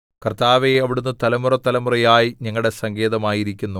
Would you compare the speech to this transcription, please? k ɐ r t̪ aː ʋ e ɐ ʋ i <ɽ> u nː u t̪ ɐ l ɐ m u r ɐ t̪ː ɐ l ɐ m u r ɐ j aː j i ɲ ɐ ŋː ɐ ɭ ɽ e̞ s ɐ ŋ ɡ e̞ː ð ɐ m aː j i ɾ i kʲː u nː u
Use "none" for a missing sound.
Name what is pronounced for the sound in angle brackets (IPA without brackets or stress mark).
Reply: ɽ